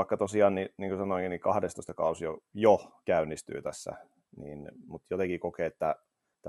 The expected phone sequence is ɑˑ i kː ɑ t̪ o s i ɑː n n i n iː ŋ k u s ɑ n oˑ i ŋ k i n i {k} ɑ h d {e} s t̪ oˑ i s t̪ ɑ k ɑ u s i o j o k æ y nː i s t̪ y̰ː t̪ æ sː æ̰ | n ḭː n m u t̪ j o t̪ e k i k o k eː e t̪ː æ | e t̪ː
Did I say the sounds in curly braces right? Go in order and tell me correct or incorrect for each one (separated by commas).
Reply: correct, correct